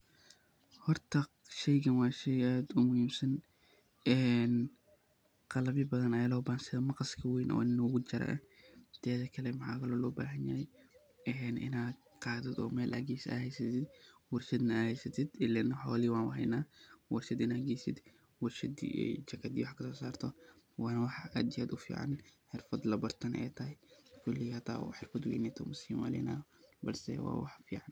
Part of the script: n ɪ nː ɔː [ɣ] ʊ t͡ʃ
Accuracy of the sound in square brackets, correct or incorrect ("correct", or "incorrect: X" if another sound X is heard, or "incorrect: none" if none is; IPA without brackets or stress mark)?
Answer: correct